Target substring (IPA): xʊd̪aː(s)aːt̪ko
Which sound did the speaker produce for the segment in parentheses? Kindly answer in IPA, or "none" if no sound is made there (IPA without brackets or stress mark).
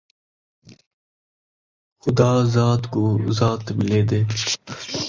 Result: z